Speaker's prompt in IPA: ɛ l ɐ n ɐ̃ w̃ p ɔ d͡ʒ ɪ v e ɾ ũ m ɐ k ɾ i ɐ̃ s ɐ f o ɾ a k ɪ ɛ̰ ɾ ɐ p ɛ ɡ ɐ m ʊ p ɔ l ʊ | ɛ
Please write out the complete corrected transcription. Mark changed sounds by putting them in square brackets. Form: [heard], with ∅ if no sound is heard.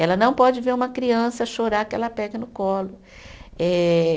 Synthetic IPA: ɛ l ɐ n ɐ̃ w̃ p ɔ d͡ʒ ɪ v e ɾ ũ m ɐ k ɾ i ɐ̃ s ɐ [ʃ] o ɾ a k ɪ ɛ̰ [l] ɐ p ɛ ɡ ɐ [n] ʊ [k] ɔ l ʊ | ɛ

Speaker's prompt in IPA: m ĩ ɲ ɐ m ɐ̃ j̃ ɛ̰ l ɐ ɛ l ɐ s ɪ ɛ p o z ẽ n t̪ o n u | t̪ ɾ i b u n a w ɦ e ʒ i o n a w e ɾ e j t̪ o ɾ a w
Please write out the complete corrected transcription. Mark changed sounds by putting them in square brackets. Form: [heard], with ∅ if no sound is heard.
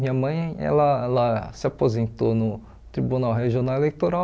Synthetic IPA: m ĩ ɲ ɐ m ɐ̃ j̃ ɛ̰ l ɐ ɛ l ɐ s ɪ [a] p o z ẽ n t̪ o n [ʊ] | t̪ ɾ i b u n a w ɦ e ʒ i o n a w e [l] e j t̪ o ɾ a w

